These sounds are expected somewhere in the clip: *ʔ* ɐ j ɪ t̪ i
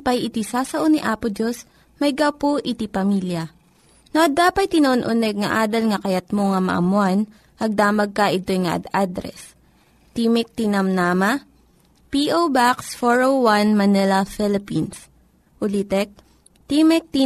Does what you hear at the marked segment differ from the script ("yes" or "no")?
yes